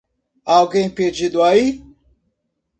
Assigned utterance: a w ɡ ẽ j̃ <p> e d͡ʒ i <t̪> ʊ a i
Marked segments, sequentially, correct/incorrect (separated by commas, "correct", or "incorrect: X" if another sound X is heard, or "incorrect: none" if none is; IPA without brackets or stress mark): correct, incorrect: d̪